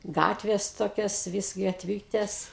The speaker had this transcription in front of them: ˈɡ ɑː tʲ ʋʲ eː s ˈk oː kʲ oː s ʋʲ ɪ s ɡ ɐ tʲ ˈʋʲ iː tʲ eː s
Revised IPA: ˈɡ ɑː tʲ ʋʲ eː s ˈt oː kʲ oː s ʋʲ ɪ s ɡ ɐ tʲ ˈʋʲ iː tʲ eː s

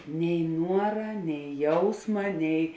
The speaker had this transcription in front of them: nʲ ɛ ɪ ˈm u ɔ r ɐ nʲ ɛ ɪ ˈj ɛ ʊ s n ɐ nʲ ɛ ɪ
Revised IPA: nʲ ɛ ɪ ˈn u ɔ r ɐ nʲ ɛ ɪ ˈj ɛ ʊ s m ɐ nʲ ɛ ɪ

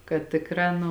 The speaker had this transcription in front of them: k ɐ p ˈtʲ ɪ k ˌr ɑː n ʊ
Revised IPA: k ɐ t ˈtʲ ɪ k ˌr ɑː n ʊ

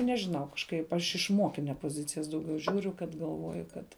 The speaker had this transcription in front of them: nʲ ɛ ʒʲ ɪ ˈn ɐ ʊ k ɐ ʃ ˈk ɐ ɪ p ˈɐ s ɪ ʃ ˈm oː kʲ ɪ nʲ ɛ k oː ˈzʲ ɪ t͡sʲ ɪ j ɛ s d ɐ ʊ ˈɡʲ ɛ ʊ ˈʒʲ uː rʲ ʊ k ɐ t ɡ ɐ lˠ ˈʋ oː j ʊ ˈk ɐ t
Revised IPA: nʲ ɛ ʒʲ ɪ ˈn ɐ ʊ k ɐ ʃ ˈk ɐ ɪ p ˈɐ ʃ ɪ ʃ ˈm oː kʲ ɪ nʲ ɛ p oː ˈzʲ ɪ t͡sʲ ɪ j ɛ s d ɐ ʊ ˈɡʲ ɛ ʊ ˈʒʲ uː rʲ ʊ k ɐ t ɡ ɐ lˠ ˈʋ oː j ʊ ˈk ɐ t

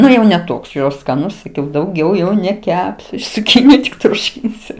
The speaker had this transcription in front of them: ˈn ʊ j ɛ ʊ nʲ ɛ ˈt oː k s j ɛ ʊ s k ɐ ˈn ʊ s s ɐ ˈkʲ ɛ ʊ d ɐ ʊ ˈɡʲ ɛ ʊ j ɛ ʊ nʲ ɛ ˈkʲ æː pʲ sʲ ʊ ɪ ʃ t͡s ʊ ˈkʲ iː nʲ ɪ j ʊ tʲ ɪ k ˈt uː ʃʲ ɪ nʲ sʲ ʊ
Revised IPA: ˈn ʊ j ɛ ʊ nʲ ɛ ˈt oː k s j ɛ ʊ s k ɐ ˈn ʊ s s ɐ ˈkʲ ɛ ʊ d ɐ ʊ ˈɡʲ ɛ ʊ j ɛ ʊ nʲ ɛ ˈkʲ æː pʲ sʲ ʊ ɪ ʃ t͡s ʊ ˈkʲ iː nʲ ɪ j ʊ tʲ ɪ k ˈt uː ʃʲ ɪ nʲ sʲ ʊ

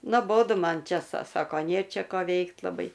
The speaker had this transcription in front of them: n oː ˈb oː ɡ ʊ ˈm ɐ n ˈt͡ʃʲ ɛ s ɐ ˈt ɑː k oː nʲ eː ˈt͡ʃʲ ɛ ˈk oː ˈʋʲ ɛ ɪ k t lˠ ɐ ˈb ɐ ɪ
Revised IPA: n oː ˈb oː d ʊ ˈm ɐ n ˈt͡ʃʲ ɛ s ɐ ˈs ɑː k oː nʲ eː ˈt͡ʃʲ ɛ ˈk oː ˈʋʲ ɛ ɪ k t lˠ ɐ ˈb ɐ ɪ

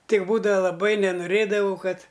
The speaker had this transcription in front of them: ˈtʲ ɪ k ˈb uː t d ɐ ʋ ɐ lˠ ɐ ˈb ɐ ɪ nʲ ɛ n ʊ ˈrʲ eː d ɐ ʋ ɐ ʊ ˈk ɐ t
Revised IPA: ˈtʲ ɪ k ˈb uː d ɐ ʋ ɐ lˠ ɐ ˈb ɐ ɪ nʲ ɛ n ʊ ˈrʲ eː d ɐ ʋ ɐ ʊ ˈk ɐ t

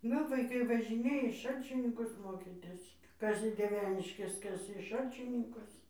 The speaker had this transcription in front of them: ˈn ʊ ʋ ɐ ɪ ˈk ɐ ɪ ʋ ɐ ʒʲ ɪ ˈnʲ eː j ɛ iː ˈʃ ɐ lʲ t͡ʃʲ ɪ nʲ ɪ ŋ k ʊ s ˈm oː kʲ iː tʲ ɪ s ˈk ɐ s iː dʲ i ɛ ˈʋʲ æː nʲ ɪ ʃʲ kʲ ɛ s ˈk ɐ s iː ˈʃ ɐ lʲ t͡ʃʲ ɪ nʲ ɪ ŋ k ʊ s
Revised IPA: ˈn ʊ ʋ ɐ ɪ ˈk ɐ ɪ ʋ ɐ ʒʲ ɪ ˈnʲ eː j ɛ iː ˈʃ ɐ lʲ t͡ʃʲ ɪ nʲ ɪ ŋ k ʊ s ˈm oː kʲ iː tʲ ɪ s ˈk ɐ s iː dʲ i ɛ ˈʋʲ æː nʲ ɪ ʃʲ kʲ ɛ s ˈk ɐ s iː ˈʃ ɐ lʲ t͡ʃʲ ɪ nʲ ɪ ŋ k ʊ s

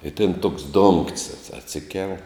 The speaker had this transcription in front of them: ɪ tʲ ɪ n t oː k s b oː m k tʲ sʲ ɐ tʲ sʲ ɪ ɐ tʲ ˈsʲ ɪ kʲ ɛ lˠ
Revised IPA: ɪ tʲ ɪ n t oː k s d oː ŋ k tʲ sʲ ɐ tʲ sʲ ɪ ɐ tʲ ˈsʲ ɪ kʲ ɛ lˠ

